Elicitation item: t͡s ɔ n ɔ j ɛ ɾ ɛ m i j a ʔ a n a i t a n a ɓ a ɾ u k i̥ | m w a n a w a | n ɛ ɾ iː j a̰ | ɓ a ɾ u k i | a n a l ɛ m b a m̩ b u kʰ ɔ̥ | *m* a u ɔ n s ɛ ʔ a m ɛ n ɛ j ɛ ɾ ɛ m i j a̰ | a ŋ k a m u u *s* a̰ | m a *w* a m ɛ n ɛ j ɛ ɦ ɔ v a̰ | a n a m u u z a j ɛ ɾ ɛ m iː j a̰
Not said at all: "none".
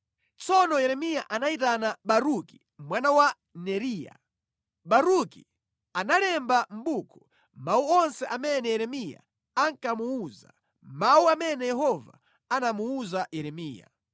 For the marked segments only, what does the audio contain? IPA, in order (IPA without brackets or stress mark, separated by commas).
m, z, u